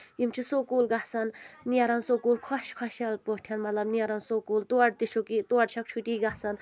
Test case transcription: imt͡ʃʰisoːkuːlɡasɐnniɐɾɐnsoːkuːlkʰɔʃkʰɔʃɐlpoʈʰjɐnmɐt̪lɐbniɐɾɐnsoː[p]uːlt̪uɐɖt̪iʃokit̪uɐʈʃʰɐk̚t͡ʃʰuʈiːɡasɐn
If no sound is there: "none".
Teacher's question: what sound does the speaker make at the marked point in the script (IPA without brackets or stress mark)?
k